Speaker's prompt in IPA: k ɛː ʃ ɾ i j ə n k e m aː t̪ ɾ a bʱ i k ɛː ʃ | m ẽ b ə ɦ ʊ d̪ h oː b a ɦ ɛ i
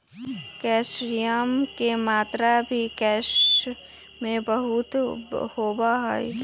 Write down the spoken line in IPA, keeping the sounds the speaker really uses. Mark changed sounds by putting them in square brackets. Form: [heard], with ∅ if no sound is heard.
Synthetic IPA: k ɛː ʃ ɾ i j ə [m] k e m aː t̪ ɾ a bʱ i k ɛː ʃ | m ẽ b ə ɦ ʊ [t̪] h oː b a ɦ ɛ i